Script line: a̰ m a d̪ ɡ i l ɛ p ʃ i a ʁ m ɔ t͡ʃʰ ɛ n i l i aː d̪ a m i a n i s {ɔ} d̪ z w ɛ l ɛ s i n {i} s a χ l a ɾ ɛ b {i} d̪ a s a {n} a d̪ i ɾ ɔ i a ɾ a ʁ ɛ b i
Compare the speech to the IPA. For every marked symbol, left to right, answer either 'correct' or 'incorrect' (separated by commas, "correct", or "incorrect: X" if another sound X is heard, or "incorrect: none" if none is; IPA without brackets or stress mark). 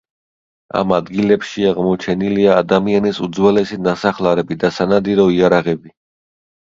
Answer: incorrect: u, incorrect: a, correct, correct